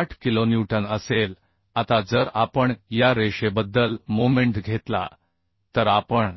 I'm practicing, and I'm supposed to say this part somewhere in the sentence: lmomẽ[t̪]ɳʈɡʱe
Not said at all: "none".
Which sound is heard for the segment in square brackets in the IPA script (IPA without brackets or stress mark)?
none